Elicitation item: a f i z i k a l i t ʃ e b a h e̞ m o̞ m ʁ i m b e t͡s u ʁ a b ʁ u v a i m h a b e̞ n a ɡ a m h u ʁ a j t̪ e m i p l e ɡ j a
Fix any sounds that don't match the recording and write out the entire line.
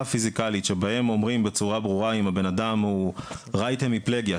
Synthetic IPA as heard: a f i z i k a l i t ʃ e b a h e̞ m o̞ m ʁ i m b e t͡s u ʁ a b ʁ u ʁ a i m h a b e̞ n a d a m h u ʁ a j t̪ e m i p l e ɡ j a